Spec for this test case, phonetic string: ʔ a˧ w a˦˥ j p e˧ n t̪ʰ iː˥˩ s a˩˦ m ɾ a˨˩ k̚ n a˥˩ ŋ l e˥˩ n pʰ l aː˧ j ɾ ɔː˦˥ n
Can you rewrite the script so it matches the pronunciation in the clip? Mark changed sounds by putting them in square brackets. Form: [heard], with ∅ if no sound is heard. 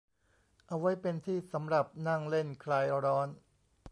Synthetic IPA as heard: ʔ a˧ w a˦˥ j p e˧ n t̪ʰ iː˥˩ s a˩˦ m ɾ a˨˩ [p̚] n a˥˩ ŋ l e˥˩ n [kʰ] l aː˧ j ɾ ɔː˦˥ n